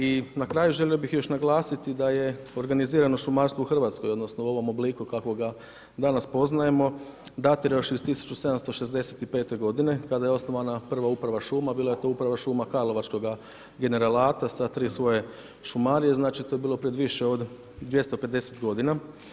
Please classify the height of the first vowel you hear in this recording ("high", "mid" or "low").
high